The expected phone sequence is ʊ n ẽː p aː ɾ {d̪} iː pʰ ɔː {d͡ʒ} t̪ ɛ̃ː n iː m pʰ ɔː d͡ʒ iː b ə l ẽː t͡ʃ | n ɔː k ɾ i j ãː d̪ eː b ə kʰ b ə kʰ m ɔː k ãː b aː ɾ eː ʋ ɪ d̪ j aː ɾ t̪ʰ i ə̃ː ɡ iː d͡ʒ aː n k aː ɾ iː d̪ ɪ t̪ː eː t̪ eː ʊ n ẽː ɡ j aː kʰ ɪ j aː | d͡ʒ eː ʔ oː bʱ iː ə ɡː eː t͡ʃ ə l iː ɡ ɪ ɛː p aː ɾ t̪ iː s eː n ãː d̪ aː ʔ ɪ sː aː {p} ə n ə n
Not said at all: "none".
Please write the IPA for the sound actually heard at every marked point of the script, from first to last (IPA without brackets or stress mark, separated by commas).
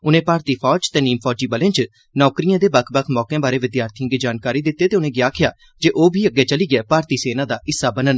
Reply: t̪, d͡ʒ, b